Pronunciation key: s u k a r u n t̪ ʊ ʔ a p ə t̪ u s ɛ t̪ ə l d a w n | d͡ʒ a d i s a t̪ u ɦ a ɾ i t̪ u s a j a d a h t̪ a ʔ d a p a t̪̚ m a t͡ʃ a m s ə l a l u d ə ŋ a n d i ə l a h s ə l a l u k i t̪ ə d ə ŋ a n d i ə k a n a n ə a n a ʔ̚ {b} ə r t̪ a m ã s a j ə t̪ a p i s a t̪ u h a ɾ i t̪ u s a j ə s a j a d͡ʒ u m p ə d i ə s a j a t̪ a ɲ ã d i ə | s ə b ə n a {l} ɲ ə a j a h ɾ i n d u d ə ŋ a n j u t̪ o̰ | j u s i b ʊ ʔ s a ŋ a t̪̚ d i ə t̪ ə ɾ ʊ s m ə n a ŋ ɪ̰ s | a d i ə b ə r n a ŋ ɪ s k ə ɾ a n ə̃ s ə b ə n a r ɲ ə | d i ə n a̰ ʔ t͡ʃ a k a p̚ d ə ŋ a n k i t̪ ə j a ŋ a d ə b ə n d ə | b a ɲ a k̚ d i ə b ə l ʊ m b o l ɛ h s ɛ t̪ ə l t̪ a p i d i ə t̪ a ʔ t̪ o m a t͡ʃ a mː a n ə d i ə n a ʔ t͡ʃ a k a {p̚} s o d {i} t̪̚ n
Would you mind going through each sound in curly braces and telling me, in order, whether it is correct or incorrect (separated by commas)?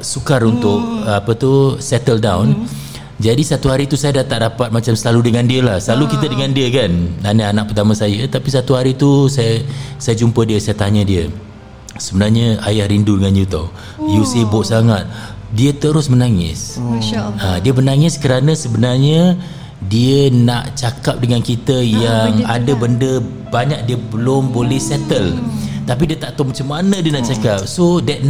incorrect, incorrect, correct, incorrect